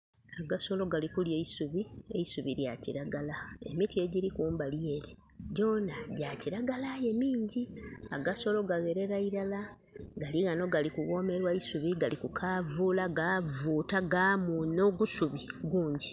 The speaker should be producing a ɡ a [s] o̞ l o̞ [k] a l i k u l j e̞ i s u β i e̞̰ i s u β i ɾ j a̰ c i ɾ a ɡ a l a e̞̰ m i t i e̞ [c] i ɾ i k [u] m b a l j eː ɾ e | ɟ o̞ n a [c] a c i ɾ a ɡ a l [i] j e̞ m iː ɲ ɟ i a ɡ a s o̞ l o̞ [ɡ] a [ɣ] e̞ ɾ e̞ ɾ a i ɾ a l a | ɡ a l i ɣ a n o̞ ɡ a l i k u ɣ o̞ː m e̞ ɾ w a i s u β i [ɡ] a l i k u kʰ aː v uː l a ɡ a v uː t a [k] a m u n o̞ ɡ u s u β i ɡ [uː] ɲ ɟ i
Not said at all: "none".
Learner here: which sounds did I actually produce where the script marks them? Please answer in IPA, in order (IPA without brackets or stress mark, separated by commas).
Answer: s, ɡ, ɟ, uː, ɟ, a, ɡ, ɣ, ɡ, ɡ, uː